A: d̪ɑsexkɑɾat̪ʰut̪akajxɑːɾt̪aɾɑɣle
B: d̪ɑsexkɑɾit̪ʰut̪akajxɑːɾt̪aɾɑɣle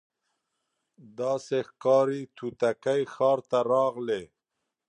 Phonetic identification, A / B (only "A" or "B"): B